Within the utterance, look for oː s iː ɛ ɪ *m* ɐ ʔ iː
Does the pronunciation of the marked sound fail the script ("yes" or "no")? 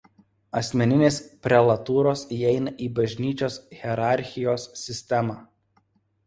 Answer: yes